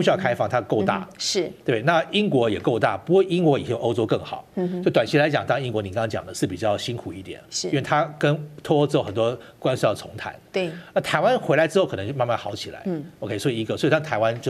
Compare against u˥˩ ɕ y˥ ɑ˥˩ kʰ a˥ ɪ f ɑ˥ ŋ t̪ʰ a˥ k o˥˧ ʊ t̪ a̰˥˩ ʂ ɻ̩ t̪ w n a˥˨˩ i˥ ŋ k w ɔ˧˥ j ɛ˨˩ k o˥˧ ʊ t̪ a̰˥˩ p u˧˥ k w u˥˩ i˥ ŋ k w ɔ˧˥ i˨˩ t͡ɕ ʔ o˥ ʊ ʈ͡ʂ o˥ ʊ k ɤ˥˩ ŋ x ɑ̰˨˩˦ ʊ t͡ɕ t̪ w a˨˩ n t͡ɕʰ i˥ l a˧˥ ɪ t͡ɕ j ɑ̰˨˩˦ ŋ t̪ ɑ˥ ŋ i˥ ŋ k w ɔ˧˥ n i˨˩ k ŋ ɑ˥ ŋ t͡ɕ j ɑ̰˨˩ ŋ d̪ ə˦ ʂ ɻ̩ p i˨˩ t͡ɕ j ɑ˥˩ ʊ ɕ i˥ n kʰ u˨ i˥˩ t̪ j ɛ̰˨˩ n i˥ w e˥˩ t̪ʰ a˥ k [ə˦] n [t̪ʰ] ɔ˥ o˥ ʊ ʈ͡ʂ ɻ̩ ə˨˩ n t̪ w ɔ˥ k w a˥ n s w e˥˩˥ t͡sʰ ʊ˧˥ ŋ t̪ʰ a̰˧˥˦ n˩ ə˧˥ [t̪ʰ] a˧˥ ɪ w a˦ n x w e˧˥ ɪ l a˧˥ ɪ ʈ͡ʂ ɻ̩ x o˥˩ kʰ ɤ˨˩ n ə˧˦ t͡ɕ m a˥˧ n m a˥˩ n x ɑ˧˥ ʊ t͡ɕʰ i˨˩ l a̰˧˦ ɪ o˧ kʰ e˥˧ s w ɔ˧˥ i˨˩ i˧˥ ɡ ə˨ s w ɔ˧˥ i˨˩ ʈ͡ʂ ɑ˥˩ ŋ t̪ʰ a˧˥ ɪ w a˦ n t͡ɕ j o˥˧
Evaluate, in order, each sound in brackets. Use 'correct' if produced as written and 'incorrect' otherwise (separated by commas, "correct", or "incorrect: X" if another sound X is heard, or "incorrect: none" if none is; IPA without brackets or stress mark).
correct, correct, correct